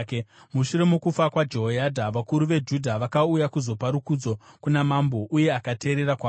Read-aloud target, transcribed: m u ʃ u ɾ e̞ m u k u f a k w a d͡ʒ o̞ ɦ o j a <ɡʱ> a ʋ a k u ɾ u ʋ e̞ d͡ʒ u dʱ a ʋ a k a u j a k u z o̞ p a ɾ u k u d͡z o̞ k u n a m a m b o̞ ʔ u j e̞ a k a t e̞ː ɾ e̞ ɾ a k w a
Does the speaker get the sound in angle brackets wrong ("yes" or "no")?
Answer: yes